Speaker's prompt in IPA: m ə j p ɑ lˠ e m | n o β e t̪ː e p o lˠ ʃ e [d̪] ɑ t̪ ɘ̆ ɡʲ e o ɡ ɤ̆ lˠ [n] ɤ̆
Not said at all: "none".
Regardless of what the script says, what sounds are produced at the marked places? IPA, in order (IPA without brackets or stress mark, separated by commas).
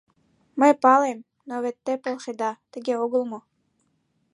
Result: d̪, m